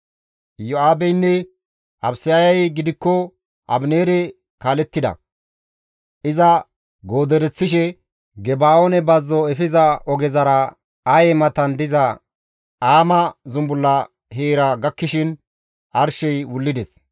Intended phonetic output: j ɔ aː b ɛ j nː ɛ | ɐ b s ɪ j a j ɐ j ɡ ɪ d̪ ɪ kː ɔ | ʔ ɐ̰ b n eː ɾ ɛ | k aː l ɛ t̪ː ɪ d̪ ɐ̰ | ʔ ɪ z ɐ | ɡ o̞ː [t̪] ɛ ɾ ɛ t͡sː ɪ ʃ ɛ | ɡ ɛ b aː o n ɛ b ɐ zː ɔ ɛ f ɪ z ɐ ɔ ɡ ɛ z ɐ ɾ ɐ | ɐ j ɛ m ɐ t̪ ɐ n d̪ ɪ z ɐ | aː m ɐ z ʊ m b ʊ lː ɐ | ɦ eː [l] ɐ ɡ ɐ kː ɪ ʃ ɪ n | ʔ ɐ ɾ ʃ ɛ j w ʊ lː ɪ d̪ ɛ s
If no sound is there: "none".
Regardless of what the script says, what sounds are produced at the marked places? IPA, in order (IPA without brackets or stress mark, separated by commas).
d̪, ɾ